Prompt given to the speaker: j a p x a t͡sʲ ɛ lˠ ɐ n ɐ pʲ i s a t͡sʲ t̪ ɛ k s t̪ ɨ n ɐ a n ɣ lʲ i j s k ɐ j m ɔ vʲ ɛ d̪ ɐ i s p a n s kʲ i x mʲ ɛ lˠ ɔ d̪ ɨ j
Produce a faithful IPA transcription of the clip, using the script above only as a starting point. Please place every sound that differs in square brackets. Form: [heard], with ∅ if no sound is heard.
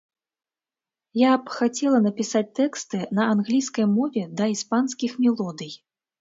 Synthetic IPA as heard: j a p x a t͡sʲ ɛ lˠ ɐ n ɐ pʲ i s a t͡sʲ t̪ ɛ k s t̪ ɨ n ɐ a n ɣ lʲ i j s k ɐ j m ɔ vʲ ɛ d̪ ɐ i s p a n s kʲ i x mʲ ɛ lˠ ɔ d̪ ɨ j